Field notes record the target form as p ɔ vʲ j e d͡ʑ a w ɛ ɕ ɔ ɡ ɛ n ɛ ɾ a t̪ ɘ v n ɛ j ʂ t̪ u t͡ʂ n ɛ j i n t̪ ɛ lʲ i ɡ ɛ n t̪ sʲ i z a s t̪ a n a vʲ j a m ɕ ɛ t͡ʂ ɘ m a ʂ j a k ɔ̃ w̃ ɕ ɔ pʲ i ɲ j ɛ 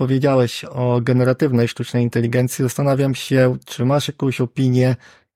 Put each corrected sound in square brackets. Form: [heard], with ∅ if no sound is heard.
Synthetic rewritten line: p ɔ vʲ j e d͡ʑ a w ɛ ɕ ɔ ɡ ɛ n ɛ ɾ a t̪ ɘ v n ɛ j ʂ t̪ u t͡ʂ n ɛ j i n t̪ ɛ lʲ i ɡ ɛ n t̪ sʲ i z a s t̪ a n a vʲ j a m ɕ ɛ t͡ʂ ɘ m a ʂ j a k ɔ̃ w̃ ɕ ɔ pʲ i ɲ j ɛ